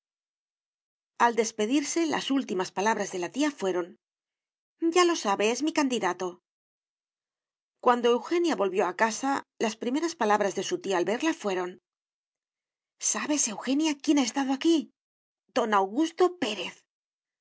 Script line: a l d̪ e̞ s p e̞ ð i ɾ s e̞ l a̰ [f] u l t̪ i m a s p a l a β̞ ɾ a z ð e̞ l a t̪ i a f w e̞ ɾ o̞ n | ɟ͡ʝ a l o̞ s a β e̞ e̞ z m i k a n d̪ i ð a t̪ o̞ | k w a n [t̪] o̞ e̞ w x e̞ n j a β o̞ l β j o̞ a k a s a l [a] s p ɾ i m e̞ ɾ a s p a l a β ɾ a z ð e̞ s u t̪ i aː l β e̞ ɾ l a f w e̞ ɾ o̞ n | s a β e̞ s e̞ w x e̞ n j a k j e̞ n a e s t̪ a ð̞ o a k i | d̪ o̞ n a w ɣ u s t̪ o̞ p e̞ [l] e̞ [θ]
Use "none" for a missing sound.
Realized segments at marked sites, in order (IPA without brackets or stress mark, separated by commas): s, d̪, a, ɾ, θ